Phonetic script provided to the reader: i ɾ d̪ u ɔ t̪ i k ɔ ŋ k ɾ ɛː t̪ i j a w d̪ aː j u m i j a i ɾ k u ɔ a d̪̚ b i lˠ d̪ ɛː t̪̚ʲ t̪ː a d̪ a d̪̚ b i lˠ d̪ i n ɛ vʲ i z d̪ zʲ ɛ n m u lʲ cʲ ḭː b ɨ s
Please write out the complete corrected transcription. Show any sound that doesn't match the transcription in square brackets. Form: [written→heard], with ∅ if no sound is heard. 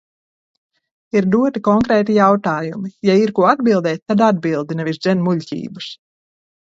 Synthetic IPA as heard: i ɾ d̪ u ɔ t̪ i k ɔ ŋ k ɾ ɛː t̪ i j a w [d̪→t̪] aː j u m i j a i ɾ k u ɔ a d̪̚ b i lˠ d̪ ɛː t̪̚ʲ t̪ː a d̪ a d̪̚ b i lˠ d̪ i n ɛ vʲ i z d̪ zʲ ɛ n m u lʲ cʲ ḭː b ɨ s

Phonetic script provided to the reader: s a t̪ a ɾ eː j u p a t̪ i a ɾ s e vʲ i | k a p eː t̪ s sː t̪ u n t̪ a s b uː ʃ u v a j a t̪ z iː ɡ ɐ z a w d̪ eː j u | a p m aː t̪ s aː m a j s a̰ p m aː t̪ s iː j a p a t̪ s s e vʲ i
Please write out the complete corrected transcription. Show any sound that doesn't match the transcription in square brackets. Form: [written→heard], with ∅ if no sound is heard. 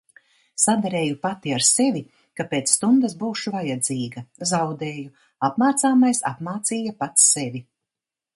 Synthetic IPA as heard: s a [t̪→d̪] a ɾ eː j u p a t̪ i a ɾ s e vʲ i | k a p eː t̪ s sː t̪ u n [t̪→d̪] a s b uː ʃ u v a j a [t̪→d̪] z iː ɡ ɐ z a w d̪ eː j u | a p m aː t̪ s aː m a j s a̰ p m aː t̪ s iː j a p a t̪ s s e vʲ i

